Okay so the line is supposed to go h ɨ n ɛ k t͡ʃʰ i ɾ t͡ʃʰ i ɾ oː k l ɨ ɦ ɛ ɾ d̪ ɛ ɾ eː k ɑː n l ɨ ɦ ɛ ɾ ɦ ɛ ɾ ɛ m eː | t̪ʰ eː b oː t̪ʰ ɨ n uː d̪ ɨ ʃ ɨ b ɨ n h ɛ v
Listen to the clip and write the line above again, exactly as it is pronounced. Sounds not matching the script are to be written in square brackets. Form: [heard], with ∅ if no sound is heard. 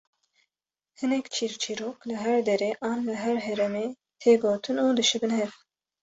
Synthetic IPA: h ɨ n ɛ k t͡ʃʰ i ɾ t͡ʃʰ i ɾ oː k l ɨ ɦ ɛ ɾ d̪ ɛ ɾ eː [ʔ] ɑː n l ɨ ɦ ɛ ɾ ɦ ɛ ɾ ɛ m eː | t̪ʰ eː [ɡ] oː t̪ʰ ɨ n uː d̪ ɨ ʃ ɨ b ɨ n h ɛ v